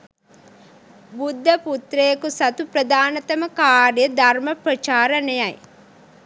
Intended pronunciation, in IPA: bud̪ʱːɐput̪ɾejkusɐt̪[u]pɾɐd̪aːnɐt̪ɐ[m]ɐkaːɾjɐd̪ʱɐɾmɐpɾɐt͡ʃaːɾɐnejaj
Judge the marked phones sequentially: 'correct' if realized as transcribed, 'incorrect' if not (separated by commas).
correct, correct